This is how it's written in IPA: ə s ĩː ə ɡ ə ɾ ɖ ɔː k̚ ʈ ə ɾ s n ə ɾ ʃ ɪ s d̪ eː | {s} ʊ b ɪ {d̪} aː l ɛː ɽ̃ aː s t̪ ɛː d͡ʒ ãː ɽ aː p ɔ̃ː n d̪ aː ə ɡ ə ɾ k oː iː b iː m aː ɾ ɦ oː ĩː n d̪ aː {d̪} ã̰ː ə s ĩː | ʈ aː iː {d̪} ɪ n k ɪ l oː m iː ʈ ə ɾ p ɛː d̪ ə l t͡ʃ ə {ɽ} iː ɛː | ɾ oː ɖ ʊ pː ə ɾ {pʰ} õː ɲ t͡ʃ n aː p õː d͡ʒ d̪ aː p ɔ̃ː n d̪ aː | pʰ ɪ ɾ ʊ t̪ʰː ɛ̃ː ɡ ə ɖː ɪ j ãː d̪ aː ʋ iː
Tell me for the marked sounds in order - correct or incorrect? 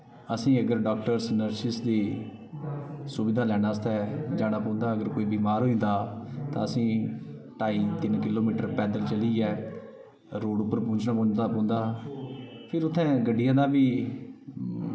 correct, correct, incorrect, incorrect, incorrect, incorrect

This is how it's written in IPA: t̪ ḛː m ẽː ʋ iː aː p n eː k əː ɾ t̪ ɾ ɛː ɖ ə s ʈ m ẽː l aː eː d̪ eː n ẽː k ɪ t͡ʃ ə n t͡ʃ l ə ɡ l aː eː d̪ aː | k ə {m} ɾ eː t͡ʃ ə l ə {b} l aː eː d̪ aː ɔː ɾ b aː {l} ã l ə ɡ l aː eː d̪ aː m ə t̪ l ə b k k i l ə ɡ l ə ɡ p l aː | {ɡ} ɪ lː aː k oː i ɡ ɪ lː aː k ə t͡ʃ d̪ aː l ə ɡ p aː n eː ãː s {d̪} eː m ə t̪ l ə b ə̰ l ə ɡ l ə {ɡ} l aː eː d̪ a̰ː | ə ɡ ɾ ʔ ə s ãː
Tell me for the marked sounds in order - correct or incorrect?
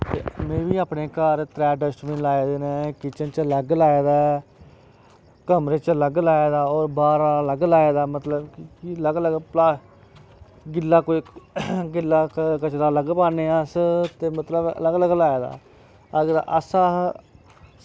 correct, incorrect, incorrect, correct, incorrect, correct

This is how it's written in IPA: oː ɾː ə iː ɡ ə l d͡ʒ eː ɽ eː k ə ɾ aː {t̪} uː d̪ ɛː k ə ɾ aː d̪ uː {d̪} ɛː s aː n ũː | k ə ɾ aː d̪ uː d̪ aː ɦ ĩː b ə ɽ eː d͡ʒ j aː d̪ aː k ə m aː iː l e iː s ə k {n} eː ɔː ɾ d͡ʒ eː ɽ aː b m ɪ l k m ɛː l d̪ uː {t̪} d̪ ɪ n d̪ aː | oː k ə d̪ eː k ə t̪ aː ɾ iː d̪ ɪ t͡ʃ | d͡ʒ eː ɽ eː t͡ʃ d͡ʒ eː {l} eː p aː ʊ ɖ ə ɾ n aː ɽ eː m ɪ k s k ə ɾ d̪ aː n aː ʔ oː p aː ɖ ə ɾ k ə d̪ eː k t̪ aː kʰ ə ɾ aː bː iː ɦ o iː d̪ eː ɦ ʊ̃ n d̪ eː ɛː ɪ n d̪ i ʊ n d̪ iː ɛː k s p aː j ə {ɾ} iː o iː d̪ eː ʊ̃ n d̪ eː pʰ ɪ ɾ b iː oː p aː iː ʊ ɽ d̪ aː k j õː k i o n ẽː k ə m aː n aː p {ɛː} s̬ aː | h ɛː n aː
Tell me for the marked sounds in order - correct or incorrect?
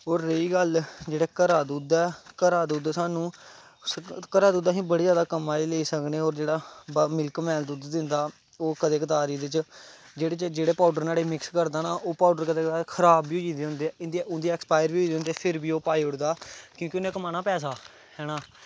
incorrect, correct, correct, incorrect, incorrect, correct, correct

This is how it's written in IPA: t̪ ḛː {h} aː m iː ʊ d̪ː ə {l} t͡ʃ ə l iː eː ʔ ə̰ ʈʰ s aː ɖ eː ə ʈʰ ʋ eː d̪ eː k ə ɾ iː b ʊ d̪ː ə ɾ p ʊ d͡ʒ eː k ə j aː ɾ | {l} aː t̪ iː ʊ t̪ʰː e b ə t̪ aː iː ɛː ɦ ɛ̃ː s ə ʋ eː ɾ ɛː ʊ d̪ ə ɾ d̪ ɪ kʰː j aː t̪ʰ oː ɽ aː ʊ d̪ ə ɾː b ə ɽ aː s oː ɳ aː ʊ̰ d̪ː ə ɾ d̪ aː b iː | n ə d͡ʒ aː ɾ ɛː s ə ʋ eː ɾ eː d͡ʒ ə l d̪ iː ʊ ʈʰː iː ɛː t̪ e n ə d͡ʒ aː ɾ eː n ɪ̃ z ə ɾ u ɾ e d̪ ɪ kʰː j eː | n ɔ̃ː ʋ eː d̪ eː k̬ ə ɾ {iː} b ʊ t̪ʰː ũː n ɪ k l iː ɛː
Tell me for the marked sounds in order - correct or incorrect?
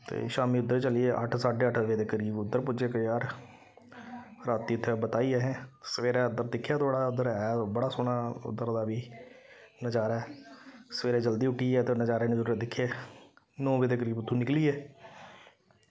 incorrect, incorrect, incorrect, correct

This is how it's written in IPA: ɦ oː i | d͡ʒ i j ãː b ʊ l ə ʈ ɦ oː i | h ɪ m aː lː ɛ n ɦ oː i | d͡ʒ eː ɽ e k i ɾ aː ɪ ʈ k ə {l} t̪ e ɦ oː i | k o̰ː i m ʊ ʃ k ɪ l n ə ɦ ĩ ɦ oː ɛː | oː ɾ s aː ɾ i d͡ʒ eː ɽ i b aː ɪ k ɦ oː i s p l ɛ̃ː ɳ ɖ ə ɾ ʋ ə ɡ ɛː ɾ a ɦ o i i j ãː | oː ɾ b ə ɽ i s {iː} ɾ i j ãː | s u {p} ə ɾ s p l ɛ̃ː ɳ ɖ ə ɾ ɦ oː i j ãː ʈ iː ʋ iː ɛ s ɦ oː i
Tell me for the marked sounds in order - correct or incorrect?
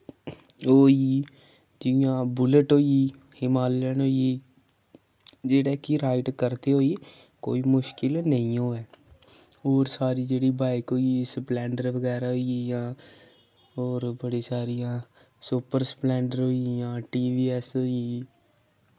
incorrect, incorrect, correct

